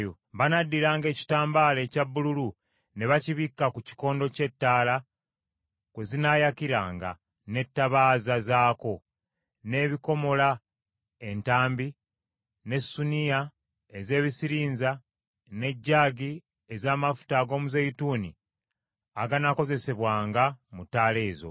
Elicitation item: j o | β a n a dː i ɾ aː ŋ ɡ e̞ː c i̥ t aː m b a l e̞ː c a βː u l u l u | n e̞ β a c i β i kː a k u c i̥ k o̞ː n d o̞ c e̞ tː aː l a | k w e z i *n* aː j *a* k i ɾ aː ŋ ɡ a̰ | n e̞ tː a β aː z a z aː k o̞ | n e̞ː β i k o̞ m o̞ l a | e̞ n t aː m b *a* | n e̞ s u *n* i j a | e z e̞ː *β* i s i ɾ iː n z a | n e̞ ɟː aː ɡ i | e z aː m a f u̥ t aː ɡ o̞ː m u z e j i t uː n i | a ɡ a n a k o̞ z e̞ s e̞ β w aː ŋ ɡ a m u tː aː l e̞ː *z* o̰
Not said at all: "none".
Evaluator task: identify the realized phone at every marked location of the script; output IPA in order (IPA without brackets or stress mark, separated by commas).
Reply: n, a, i, n, β, z